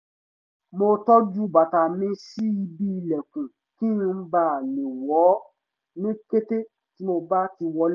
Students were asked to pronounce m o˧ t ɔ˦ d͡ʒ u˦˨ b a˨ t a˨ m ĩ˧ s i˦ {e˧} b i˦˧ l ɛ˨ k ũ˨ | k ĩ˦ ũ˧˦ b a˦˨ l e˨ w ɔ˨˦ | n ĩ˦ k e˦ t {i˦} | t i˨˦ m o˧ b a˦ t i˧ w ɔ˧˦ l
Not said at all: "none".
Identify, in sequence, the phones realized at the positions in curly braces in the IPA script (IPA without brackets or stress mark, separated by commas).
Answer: i˧, e˦